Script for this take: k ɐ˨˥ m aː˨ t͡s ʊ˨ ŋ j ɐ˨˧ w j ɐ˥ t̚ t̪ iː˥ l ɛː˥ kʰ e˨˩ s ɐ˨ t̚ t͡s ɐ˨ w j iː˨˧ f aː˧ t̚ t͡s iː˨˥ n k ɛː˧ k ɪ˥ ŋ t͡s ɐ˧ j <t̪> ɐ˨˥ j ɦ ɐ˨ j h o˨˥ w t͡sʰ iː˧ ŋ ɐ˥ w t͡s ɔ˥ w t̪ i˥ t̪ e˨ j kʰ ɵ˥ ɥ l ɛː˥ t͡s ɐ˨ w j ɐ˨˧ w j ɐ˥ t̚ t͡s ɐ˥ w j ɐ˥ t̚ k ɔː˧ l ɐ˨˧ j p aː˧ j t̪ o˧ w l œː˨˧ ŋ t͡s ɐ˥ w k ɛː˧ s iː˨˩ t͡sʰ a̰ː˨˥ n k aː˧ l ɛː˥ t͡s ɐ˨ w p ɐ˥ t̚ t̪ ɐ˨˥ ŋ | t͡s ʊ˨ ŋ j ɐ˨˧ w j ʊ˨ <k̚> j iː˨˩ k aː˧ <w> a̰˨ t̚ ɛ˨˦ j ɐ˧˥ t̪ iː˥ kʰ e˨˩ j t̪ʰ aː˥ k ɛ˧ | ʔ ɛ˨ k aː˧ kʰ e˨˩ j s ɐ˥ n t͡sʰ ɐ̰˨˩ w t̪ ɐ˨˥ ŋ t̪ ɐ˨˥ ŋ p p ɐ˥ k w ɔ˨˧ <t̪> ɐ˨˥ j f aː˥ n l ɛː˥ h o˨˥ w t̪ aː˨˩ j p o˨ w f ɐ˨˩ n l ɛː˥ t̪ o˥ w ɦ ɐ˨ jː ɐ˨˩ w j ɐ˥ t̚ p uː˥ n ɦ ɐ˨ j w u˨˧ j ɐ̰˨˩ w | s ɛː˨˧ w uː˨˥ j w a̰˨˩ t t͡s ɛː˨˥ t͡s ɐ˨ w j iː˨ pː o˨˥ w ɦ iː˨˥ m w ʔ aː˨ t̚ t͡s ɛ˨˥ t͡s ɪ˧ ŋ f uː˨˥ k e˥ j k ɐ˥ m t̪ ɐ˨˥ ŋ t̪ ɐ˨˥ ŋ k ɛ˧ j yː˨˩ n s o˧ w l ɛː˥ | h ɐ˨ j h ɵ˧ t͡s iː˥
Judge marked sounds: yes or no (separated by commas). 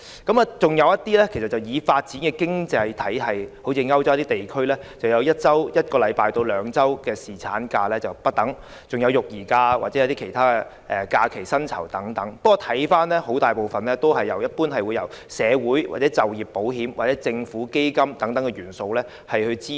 no, yes, yes, no